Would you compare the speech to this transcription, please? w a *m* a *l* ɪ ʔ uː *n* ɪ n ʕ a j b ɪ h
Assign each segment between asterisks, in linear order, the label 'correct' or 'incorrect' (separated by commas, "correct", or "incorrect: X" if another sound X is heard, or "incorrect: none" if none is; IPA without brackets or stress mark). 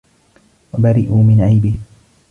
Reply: incorrect: b, incorrect: ɾ, incorrect: m